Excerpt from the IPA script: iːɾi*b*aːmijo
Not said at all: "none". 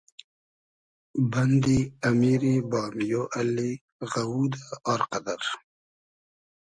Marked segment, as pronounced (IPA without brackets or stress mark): b